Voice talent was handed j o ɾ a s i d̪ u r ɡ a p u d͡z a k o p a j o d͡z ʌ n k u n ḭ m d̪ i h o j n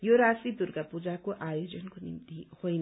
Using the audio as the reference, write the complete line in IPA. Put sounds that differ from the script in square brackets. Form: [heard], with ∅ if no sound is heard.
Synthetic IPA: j o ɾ a s i d̪ u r ɡ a p u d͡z a k o [ʔ] a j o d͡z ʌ n k [o] n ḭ m [t̪] i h o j n